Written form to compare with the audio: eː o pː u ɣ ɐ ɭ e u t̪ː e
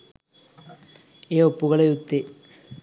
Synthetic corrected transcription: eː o pː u ɣ ɐ ɭ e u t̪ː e